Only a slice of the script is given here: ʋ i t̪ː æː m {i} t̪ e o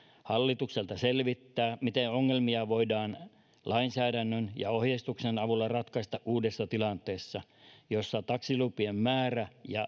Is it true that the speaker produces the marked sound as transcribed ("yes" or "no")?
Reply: yes